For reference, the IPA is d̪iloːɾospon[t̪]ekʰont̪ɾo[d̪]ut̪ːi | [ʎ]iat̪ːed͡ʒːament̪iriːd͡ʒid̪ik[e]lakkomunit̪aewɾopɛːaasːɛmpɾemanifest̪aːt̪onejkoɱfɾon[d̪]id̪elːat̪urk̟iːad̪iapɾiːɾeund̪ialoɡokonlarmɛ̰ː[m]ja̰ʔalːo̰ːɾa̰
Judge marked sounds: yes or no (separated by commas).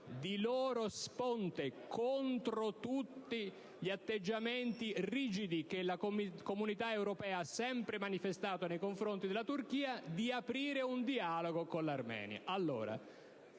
yes, no, yes, yes, no, no